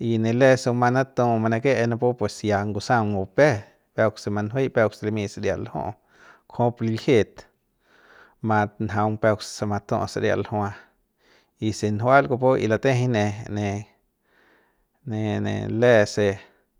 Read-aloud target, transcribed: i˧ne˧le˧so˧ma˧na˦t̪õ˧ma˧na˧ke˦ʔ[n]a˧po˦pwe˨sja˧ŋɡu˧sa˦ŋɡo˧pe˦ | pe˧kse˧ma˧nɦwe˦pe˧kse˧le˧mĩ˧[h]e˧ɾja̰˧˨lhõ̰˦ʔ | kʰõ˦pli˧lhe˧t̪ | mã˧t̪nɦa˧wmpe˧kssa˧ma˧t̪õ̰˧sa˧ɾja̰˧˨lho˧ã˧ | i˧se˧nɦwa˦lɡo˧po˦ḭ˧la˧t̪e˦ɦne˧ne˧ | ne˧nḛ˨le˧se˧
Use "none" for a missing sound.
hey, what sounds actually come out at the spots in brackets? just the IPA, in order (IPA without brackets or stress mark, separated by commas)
n, s